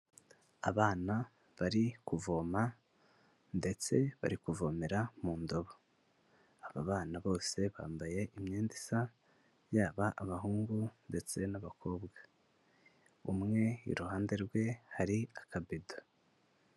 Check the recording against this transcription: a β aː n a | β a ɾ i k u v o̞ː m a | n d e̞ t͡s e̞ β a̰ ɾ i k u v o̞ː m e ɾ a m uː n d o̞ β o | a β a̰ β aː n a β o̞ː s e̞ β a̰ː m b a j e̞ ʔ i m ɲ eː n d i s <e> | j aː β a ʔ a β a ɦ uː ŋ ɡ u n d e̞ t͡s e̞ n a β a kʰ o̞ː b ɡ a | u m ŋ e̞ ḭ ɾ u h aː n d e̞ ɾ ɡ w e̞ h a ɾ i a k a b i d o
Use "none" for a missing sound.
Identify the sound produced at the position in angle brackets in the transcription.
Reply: a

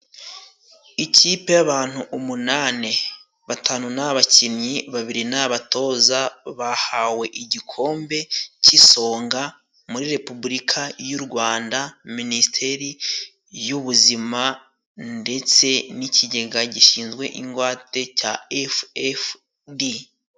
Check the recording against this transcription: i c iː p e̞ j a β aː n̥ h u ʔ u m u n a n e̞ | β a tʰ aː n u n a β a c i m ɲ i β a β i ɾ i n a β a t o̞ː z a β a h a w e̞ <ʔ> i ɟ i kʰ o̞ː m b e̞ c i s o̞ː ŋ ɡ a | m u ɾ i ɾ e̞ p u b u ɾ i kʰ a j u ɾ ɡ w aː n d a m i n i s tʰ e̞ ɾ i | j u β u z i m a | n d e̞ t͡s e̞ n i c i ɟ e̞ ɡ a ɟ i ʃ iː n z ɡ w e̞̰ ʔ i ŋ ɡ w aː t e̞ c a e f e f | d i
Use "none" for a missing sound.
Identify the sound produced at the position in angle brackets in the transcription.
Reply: ʔ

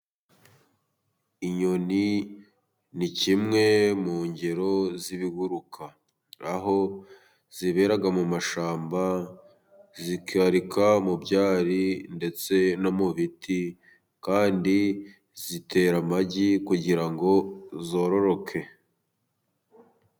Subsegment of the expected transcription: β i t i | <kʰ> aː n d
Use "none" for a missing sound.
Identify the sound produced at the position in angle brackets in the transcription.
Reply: k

